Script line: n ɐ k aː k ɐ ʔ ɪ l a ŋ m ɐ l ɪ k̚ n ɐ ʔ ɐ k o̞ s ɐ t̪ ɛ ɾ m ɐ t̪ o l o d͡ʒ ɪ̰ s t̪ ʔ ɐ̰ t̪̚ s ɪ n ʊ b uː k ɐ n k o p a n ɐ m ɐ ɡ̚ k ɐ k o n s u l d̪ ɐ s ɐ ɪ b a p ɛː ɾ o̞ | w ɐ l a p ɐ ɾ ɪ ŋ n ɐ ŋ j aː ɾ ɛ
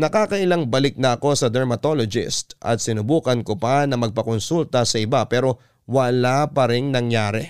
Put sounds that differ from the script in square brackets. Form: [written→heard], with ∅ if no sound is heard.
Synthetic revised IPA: n ɐ k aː k ɐ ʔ ɪ l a ŋ [m→b] ɐ l ɪ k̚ n ɐ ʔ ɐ k o̞ s ɐ [t̪→d̪] ɛ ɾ m ɐ t̪ o l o d͡ʒ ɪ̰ s t̪ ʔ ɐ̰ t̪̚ s ɪ n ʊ b uː k ɐ n k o p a n ɐ m ɐ ɡ̚ [k→p] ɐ k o n s u l [d̪→t̪] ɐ s ɐ ɪ b a p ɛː ɾ o̞ | w ɐ l a p ɐ ɾ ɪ ŋ n ɐ ŋ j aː ɾ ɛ